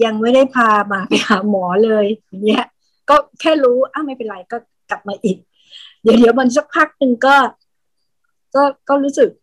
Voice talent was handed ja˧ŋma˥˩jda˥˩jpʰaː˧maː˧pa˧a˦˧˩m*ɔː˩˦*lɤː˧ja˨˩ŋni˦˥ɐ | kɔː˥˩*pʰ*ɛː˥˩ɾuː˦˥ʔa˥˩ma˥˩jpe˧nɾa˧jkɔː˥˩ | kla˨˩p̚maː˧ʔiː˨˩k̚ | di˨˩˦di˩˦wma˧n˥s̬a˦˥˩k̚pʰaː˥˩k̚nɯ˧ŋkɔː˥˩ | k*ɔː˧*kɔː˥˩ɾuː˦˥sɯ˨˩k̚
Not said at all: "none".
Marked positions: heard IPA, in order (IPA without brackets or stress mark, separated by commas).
ɔː˩˦, kʰ, ɔː˥˩